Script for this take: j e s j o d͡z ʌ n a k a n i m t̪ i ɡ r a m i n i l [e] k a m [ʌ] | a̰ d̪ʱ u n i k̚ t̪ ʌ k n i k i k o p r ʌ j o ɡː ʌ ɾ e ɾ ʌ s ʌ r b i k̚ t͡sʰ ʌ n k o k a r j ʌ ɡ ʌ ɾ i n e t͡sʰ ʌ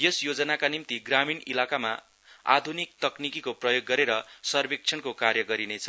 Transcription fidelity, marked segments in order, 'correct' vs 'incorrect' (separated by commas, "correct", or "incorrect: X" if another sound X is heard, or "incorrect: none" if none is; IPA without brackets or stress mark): incorrect: a, incorrect: a